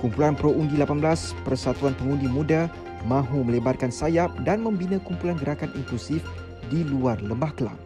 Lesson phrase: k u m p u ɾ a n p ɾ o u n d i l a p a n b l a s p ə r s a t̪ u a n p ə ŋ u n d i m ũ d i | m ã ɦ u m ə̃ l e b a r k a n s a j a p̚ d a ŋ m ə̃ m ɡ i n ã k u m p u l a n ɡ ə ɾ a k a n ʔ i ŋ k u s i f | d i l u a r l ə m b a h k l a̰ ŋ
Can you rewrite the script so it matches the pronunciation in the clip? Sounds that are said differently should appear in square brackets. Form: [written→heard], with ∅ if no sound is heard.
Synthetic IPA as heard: k u m p u [ɾ→l] a n p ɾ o u n d i l a p a n b l a s p ə r s a t̪ u a n p ə ŋ u n d i m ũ d [i→a] | m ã ɦ u m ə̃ l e b a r k a n s a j a p̚ d a [ŋ→n] m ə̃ m [ɡ→b] i n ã k u m p u l a n ɡ ə ɾ a k a n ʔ i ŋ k u s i f | d i l u a r l ə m b a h k l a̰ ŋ